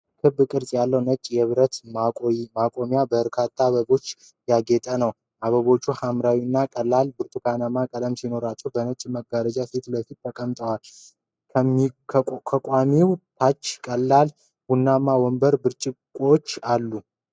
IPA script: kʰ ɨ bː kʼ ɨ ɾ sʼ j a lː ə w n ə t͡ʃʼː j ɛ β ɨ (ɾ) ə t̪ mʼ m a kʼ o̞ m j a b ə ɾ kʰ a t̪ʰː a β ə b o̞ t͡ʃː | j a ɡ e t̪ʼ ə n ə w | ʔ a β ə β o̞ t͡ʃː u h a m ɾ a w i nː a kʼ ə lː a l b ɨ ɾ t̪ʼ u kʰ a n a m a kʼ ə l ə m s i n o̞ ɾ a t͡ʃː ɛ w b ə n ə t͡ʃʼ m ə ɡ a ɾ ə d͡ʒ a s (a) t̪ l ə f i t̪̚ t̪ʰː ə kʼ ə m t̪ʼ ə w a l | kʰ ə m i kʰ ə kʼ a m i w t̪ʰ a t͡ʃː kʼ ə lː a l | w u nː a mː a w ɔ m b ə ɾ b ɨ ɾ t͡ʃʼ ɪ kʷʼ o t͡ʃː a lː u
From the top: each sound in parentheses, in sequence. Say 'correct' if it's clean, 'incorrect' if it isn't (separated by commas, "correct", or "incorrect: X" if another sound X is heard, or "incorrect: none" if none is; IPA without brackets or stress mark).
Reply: correct, incorrect: e